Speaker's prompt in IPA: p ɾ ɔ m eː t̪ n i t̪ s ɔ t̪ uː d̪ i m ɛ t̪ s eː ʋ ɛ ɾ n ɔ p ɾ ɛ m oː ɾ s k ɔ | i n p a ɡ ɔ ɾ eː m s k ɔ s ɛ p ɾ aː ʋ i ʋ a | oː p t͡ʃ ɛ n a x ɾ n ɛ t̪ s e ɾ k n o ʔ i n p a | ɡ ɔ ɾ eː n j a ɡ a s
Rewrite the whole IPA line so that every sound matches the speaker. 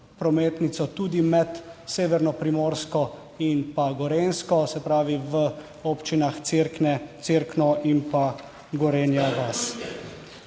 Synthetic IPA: p ɾ ɔ m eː t̪ n i t̪ s ɔ t̪ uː d̪ i m ɛ t̪ s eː ʋ ɛ ɾ n ɔ p ɾ i m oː ɾ s k ɔ | i n p a ɡ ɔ ɾ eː n s k ɔ s ɛ p ɾ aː ʋ i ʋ ə | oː p t͡ʃ i n a x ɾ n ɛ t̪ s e ɾ k n ɔ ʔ i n p a | ɡ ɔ ɾ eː n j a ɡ a s